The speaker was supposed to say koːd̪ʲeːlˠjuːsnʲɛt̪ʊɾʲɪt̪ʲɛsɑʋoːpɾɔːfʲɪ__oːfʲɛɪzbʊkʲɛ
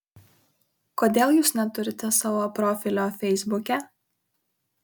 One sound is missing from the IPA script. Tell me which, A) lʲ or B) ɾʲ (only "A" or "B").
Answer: A